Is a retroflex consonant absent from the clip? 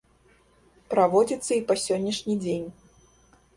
no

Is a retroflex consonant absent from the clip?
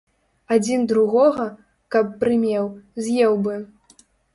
yes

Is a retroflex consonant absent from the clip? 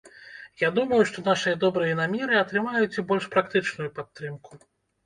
no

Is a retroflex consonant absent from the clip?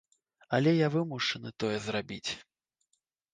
no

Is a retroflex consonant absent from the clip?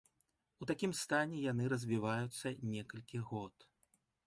yes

